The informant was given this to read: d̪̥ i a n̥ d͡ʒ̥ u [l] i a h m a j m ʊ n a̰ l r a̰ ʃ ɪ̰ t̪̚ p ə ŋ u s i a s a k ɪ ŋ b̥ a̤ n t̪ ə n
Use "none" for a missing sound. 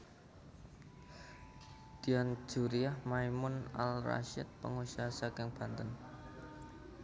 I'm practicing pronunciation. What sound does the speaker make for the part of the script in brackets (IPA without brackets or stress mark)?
ɾ